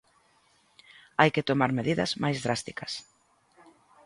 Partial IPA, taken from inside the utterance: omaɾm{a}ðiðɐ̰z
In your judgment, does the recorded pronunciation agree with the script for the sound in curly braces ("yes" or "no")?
no